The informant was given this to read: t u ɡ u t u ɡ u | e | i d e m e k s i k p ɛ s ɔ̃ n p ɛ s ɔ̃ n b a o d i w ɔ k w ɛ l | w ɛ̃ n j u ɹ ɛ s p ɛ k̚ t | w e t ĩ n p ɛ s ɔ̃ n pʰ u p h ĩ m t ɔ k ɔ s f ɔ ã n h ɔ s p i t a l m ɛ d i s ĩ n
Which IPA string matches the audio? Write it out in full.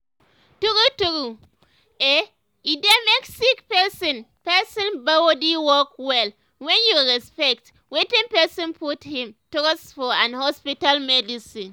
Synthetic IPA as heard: t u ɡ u t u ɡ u | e | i d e m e k s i k p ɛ s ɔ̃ n p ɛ s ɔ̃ n b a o d i w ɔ k w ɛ l | w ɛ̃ n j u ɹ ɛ s p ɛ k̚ t | w e t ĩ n p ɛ s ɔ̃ n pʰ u t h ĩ m t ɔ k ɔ s f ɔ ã n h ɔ s p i t a l m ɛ d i s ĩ n

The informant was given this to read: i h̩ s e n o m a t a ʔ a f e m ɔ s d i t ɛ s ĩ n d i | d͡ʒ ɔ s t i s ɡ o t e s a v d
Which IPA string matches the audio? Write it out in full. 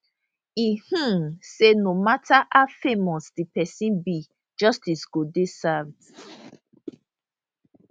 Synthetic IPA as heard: i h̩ s e n o m a t a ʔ a f e m ɔ s d i p ɛ s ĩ n b i | d͡ʒ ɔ s t i s ɡ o d e s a v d

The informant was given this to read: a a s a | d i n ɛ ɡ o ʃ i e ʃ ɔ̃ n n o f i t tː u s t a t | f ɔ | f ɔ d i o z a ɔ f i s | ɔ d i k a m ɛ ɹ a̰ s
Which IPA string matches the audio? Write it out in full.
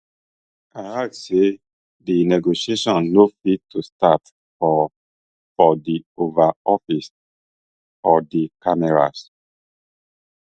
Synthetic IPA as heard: a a s e | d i n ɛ ɡ o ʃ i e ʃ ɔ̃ n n o f i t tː u s t a t | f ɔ | f ɔ d i o v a ɔ f i s | ɔ d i k a m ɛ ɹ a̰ s

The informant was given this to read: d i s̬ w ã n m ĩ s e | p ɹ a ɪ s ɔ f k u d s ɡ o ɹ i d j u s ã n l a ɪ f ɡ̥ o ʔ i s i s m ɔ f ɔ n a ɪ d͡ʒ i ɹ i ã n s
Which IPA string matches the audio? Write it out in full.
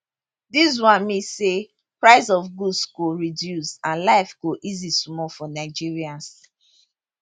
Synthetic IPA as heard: d i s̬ w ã n m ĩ s e | p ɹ a ɪ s ɔ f ɡ u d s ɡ o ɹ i d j u s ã n l a ɪ f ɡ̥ o ʔ i z i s m ɔ f ɔ n a ɪ d͡ʒ i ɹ i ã n s

